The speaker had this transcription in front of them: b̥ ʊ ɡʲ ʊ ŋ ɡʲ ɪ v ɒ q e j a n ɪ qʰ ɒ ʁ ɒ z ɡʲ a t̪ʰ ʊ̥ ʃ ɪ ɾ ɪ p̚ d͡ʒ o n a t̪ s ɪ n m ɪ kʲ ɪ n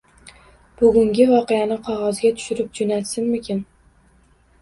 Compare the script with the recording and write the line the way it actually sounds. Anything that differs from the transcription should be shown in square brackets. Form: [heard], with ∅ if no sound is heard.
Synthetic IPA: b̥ ʊ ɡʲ ʊ ŋ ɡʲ ɪ v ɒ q e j a n ɪ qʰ ɒ ʁ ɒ z ɡʲ a t̪ʰ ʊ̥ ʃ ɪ ɾ ɪ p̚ d͡ʒ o n a t̪ s ɪ n m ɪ kʲ ɪ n